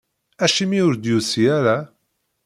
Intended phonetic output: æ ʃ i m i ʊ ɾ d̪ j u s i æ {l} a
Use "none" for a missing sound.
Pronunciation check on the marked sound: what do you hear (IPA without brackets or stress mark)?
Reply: ɾ